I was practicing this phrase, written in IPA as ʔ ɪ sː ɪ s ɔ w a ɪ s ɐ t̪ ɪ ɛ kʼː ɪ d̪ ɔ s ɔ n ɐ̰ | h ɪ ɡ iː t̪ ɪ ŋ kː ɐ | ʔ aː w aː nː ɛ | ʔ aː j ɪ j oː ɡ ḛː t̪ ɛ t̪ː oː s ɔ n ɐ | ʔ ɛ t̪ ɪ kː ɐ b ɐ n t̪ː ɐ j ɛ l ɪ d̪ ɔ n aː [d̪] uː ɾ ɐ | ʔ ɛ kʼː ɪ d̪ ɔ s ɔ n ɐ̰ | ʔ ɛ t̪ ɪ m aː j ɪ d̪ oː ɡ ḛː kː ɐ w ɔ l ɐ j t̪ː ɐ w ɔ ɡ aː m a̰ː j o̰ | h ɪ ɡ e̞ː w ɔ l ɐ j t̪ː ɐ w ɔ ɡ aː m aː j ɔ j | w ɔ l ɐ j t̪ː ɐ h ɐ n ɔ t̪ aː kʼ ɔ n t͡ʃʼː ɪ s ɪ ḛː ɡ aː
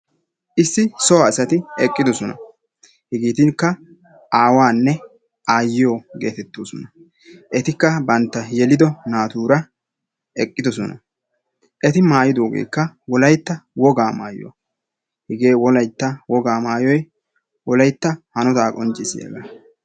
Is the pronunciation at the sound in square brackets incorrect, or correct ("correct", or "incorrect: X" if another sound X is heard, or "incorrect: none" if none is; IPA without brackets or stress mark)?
incorrect: t̪